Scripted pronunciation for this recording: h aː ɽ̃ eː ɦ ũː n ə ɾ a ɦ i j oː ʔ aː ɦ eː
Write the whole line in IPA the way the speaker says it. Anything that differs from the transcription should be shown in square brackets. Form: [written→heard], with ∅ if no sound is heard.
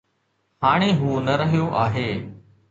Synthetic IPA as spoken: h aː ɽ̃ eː ɦ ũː n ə ɾ [a→ə] ɦ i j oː ʔ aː ɦ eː